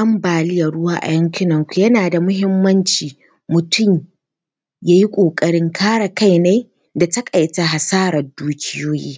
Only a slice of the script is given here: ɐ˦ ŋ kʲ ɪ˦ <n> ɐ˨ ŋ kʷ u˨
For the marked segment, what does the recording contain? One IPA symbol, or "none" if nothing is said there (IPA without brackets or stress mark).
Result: n